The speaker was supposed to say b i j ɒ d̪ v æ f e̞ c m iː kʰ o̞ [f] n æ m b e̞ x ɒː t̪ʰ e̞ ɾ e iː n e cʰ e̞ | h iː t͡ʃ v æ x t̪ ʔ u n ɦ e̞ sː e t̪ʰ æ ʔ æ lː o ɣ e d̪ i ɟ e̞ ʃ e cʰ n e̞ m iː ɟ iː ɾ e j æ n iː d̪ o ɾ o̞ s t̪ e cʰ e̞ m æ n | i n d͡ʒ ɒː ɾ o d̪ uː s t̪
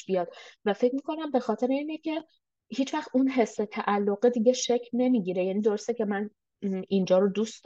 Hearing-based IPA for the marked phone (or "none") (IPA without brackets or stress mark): none